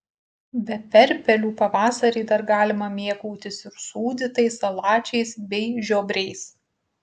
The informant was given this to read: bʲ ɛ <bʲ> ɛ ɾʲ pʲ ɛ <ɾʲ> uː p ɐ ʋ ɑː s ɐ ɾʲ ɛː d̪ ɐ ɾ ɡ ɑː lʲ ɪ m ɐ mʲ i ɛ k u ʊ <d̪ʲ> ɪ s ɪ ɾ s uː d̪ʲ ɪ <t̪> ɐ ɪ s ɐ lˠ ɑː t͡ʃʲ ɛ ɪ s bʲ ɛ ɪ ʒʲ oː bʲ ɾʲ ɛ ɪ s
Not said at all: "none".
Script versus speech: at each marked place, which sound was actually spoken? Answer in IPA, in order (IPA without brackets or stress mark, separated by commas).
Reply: pʲ, lʲ, t̪ʲ, t̪